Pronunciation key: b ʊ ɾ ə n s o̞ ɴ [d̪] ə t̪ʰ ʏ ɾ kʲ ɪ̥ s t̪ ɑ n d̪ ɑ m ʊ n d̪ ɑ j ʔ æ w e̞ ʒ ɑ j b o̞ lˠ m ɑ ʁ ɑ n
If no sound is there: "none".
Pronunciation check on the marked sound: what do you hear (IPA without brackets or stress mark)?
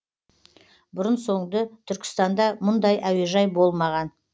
d̪